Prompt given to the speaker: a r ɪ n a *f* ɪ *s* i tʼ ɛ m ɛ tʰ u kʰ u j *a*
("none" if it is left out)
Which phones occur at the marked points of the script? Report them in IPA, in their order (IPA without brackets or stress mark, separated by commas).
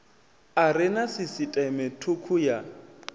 s, s, a